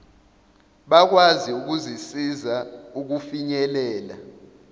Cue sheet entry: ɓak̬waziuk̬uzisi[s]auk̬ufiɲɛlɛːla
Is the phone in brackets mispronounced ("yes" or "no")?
yes